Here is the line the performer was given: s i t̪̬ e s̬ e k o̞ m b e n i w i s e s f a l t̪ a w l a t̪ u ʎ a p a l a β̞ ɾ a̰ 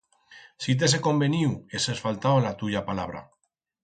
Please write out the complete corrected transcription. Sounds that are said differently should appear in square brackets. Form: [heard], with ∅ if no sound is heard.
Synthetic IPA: s i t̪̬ e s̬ e k o̞ m b e n i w [e] s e s f a l t̪ a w l a t̪ u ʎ a p a l a β̞ ɾ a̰